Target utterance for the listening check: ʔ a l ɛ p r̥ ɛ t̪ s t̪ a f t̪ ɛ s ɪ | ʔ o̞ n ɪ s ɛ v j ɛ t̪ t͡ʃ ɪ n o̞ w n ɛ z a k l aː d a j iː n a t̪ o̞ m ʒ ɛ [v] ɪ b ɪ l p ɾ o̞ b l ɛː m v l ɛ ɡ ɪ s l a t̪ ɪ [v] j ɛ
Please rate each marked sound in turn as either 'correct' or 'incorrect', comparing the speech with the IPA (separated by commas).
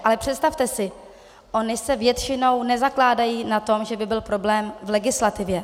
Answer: incorrect, correct